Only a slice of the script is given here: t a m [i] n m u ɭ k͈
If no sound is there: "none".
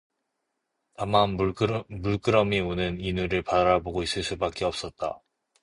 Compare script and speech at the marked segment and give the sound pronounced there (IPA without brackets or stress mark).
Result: a